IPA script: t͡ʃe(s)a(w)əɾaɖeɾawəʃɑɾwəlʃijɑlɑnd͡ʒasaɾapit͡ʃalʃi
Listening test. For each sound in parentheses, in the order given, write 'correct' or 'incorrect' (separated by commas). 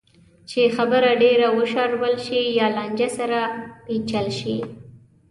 incorrect, incorrect